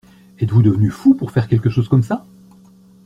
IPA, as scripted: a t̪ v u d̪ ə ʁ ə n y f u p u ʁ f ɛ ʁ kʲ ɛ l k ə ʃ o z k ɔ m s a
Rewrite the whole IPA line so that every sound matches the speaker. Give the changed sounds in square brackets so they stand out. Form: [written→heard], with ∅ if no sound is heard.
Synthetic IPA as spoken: [a→ɛ] t̪ v u d̪ ə [ʁ→v] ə n y f u p u ʁ f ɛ ʁ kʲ ɛ l k ə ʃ o z k ɔ m s a